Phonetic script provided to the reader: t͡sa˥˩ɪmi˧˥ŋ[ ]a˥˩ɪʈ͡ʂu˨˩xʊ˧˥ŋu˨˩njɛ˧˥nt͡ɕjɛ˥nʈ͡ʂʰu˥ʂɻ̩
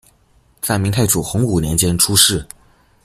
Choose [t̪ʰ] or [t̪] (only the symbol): t̪ʰ